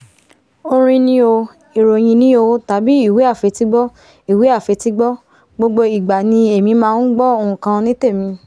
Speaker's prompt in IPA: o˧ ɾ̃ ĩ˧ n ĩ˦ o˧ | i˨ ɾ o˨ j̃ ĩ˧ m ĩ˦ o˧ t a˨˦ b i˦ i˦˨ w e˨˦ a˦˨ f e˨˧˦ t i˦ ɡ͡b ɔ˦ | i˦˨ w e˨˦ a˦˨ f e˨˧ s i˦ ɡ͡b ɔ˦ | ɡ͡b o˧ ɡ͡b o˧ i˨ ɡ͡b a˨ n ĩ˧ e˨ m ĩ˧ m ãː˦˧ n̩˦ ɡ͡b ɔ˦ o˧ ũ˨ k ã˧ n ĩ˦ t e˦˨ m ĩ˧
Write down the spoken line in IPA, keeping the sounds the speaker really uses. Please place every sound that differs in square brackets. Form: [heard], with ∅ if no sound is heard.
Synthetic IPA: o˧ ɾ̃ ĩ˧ n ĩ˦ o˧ | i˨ ɾ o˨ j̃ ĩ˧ [n] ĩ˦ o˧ t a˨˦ b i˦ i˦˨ w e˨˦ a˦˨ f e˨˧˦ t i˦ ɡ͡b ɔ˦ | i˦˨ w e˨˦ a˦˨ f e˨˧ [t] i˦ ɡ͡b ɔ˦ | ɡ͡b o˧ ɡ͡b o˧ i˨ ɡ͡b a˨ n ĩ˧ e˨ m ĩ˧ m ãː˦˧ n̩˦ ɡ͡b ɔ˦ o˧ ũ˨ k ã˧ n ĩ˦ t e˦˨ m ĩ˧